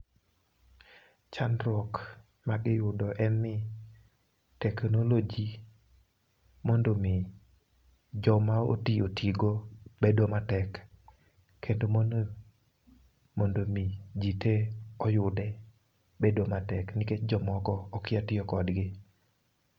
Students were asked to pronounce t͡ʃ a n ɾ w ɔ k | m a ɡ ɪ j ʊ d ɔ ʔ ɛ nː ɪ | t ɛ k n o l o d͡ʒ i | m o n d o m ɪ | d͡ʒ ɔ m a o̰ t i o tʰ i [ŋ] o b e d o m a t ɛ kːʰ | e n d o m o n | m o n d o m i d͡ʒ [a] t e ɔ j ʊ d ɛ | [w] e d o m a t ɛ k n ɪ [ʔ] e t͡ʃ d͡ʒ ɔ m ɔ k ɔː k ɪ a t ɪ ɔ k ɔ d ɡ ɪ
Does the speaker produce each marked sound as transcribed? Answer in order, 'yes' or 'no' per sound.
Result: no, no, no, no

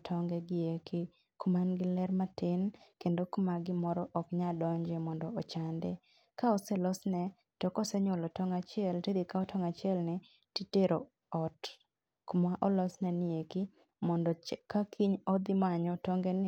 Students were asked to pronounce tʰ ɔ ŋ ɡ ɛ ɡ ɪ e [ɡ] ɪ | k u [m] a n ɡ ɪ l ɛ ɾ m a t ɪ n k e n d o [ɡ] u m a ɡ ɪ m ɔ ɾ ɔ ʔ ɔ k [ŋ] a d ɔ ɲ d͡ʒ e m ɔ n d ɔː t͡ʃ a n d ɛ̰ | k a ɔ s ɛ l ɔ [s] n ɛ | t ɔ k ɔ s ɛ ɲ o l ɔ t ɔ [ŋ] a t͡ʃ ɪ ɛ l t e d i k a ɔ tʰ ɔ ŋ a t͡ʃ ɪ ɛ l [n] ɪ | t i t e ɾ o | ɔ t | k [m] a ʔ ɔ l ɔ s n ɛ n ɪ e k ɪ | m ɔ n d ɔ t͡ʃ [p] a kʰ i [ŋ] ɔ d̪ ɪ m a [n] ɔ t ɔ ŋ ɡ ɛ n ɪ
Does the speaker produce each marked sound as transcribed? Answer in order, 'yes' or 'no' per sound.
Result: no, yes, no, no, yes, yes, yes, yes, no, no, no

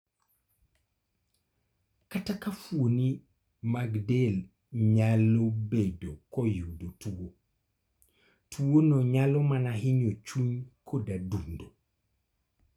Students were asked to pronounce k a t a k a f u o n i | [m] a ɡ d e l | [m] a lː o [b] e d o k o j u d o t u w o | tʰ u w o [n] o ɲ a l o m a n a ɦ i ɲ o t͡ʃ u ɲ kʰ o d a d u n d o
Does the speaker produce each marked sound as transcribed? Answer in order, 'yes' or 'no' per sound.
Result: yes, no, yes, yes

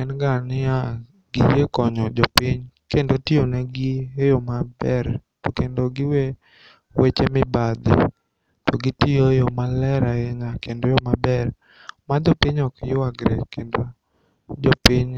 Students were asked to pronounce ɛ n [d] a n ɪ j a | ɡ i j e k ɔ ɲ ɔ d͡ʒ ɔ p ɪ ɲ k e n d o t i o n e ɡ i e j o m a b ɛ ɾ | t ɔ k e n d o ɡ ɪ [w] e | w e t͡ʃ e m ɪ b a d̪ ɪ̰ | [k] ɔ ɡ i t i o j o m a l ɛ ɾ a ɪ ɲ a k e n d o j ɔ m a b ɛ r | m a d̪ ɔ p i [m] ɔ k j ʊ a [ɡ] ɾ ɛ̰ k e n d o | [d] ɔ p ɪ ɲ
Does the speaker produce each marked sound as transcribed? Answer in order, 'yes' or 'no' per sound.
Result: no, yes, no, no, yes, no

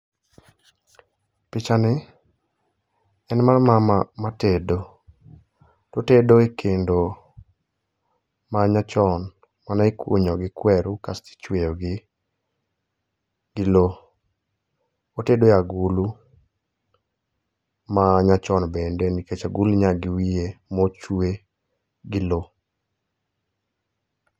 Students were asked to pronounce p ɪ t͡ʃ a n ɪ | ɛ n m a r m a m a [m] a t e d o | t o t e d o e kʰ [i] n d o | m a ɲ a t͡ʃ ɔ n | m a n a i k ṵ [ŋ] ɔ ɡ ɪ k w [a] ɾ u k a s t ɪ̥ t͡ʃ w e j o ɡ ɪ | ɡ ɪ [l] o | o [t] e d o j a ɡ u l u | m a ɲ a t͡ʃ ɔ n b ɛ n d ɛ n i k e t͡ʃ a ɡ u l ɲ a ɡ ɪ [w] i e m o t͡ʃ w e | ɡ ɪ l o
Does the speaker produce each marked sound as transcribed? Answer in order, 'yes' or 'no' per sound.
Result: yes, no, no, no, yes, yes, yes

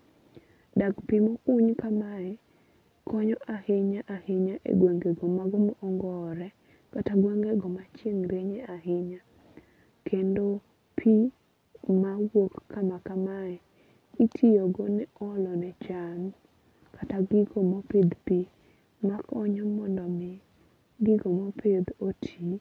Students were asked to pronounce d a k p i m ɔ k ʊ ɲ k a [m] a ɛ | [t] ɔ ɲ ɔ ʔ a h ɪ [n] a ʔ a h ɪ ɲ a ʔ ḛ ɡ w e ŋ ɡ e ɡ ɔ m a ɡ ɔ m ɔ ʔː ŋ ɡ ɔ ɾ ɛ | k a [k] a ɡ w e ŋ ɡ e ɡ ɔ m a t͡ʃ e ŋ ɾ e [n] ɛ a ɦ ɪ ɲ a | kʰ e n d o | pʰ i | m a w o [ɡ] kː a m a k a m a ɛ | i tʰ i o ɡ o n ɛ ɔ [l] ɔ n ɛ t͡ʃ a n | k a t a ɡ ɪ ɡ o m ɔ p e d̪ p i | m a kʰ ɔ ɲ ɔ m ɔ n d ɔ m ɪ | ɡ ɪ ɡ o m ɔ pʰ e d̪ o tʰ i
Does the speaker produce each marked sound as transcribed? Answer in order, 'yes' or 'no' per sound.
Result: yes, no, no, no, no, no, yes

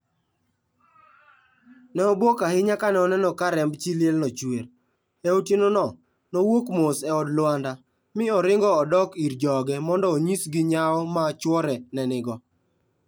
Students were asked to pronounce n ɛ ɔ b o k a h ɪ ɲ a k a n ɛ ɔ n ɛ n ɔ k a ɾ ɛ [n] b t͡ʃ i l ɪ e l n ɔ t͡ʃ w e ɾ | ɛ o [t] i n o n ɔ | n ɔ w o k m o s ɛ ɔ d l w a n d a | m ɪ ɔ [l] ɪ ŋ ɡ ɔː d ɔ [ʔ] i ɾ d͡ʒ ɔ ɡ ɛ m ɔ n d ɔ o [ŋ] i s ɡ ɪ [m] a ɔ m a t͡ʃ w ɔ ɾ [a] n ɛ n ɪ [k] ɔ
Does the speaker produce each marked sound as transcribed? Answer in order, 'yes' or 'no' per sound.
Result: no, yes, no, no, no, no, no, no

